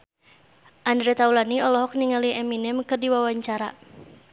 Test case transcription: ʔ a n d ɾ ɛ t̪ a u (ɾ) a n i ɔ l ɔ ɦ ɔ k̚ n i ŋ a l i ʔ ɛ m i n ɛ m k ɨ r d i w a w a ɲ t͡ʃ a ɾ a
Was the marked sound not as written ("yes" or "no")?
yes